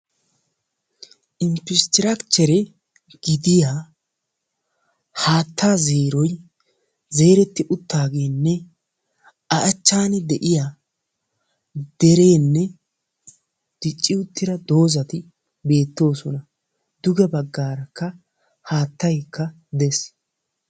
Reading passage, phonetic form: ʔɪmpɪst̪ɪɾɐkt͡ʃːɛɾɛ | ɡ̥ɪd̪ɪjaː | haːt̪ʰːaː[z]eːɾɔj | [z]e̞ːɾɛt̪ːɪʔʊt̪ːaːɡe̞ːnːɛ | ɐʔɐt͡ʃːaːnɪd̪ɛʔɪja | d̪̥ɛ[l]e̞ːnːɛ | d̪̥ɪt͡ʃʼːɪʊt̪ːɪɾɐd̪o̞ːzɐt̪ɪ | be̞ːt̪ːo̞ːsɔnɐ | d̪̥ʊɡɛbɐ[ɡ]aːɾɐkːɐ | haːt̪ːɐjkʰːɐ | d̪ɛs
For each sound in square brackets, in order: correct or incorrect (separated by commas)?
correct, correct, incorrect, incorrect